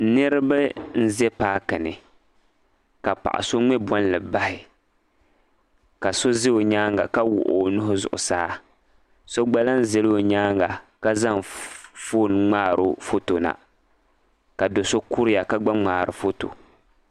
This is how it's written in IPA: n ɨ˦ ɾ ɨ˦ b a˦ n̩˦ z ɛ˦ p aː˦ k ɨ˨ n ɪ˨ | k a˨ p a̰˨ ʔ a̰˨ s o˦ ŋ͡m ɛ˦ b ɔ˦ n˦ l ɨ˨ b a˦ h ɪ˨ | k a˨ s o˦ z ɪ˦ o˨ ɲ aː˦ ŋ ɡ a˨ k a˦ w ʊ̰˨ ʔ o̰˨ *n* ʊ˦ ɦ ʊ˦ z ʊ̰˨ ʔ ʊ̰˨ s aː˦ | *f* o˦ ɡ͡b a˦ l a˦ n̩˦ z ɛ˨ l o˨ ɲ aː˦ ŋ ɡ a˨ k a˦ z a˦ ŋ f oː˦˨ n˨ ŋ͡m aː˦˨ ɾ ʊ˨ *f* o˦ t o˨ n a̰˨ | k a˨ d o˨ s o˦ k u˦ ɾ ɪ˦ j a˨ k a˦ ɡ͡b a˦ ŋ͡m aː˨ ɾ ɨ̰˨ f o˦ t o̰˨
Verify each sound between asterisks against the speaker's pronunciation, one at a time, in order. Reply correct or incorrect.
correct, incorrect, correct

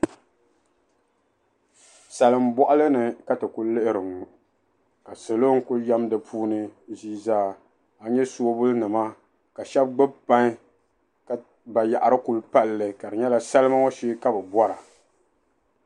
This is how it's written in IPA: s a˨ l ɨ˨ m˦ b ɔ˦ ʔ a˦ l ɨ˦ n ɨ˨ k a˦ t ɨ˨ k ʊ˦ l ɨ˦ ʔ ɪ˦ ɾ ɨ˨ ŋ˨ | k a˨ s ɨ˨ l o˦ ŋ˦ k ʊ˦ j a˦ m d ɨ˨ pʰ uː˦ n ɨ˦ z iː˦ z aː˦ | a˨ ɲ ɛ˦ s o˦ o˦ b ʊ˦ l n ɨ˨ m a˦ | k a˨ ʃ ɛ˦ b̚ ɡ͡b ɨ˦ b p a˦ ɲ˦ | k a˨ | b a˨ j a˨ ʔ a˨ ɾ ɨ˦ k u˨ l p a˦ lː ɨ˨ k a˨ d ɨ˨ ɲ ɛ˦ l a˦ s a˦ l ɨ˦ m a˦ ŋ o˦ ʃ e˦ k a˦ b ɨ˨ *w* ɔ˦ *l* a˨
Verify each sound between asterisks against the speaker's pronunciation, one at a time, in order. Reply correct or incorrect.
incorrect, incorrect

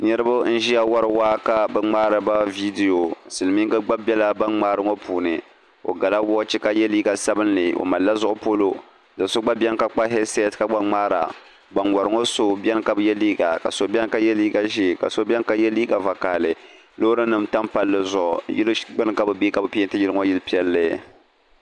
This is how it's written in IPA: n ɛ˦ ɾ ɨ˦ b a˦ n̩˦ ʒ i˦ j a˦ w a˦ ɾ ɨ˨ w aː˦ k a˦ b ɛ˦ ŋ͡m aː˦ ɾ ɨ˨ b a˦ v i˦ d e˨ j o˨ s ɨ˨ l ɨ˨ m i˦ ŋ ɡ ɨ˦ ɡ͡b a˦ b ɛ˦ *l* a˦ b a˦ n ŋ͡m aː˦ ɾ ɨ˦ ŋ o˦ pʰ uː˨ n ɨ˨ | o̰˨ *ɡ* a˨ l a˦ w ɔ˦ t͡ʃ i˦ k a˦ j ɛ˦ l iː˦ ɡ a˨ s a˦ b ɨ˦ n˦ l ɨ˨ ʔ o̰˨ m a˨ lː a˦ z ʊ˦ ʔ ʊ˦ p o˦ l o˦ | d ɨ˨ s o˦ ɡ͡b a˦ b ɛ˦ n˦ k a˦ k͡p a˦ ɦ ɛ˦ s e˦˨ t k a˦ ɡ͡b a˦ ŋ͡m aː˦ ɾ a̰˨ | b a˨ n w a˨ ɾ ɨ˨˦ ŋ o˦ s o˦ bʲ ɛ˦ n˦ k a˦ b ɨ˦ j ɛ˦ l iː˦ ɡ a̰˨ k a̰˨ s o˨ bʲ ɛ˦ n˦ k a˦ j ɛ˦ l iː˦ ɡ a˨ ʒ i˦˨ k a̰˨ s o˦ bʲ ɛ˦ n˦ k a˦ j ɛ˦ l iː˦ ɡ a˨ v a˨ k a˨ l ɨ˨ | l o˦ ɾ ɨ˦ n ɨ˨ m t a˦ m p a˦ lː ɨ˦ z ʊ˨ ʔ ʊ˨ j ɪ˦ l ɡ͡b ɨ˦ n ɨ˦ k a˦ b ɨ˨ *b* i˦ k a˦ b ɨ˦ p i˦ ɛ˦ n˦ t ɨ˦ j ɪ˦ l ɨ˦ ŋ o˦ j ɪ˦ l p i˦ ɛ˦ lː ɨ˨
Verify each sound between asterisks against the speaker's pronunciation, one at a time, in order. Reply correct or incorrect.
correct, correct, correct

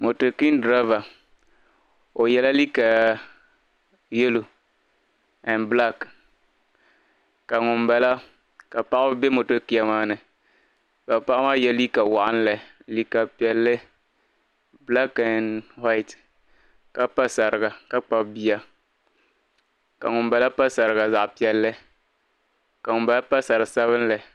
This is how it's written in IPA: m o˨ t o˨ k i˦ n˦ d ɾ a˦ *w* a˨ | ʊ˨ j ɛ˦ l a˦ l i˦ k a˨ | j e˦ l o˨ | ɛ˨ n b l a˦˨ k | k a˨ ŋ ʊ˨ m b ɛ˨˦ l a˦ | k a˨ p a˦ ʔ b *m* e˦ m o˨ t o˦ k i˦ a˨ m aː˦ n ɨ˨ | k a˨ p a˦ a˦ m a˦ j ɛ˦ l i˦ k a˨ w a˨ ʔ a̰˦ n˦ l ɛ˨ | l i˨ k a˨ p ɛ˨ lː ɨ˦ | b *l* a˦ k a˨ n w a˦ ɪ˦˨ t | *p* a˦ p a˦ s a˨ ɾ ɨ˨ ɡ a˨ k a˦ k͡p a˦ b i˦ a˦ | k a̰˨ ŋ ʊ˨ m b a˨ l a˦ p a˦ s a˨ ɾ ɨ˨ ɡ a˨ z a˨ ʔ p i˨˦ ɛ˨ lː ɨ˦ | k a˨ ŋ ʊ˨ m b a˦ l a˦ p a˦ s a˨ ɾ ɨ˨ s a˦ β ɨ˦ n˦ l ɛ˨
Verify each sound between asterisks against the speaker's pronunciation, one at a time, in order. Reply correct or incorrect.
incorrect, incorrect, correct, incorrect

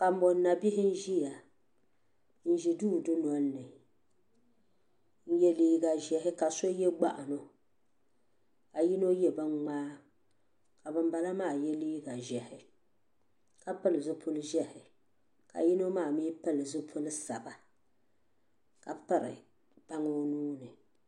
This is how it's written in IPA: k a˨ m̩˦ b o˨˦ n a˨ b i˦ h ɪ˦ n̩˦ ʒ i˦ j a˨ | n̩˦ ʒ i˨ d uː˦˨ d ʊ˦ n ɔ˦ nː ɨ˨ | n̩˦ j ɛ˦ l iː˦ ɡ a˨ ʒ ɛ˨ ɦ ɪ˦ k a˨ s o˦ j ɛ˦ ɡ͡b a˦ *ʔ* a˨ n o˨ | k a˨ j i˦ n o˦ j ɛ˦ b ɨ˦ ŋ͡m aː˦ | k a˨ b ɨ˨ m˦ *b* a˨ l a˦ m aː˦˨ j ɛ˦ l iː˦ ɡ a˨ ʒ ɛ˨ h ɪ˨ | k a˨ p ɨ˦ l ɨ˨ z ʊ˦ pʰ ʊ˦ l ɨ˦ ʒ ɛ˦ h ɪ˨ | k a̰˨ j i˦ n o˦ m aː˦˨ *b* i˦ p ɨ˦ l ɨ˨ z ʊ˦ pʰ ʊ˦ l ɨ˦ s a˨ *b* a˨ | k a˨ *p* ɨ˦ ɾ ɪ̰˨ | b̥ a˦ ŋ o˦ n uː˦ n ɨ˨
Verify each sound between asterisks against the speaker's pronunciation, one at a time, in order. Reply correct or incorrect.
correct, correct, incorrect, correct, correct

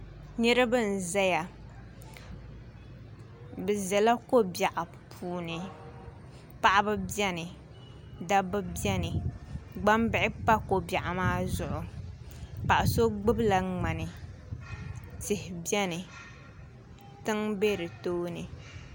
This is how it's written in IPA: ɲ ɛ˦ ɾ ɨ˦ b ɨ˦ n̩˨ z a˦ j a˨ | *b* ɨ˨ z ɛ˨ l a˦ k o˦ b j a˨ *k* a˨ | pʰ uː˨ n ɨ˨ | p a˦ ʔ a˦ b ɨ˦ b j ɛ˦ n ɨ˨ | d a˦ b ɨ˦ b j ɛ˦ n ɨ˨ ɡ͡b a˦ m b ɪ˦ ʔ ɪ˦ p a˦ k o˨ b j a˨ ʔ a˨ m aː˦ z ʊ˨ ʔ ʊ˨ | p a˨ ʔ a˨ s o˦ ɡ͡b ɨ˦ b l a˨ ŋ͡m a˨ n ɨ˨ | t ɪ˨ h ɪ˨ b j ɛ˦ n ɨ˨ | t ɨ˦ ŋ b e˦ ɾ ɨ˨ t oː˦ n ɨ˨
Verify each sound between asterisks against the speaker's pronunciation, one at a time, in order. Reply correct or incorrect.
correct, incorrect

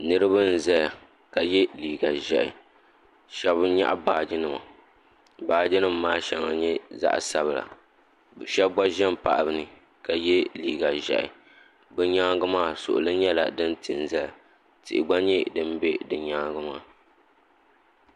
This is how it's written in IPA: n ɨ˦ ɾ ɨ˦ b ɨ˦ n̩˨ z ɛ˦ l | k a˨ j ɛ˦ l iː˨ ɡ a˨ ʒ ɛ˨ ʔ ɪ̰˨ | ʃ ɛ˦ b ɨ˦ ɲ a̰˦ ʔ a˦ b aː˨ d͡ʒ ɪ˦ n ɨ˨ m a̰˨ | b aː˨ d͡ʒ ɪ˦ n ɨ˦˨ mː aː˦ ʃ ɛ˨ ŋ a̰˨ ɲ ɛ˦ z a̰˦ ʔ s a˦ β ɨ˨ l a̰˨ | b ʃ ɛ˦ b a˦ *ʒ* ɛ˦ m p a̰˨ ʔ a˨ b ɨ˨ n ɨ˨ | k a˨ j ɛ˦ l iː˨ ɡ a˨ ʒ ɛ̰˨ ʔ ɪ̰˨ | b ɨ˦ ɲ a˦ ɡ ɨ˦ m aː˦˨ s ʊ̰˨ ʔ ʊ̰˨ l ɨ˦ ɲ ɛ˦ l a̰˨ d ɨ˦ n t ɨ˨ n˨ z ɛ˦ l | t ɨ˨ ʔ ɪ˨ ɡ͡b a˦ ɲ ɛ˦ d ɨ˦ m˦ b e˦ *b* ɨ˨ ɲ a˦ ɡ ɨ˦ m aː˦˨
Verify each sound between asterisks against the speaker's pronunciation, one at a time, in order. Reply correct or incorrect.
correct, incorrect

